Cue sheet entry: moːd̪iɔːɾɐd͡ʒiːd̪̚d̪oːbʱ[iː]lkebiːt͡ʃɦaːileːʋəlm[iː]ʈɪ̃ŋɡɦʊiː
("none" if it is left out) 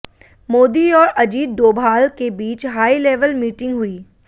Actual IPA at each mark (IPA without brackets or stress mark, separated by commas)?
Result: aː, iː